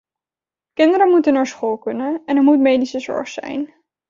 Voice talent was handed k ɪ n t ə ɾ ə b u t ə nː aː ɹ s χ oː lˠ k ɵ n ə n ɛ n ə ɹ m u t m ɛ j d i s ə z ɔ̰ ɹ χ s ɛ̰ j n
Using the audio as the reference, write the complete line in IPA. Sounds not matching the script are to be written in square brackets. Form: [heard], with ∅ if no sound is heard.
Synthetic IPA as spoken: k ɪ n [d] ə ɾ ə [m] u t ə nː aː ɹ s χ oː lˠ k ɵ n ə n ɛ n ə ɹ m u t m [e] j d i s ə z ɔ̰ ɹ χ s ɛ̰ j n